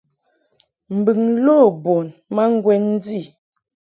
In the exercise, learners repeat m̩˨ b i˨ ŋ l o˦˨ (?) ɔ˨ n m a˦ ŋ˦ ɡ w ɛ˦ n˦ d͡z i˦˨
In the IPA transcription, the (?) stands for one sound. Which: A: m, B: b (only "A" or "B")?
B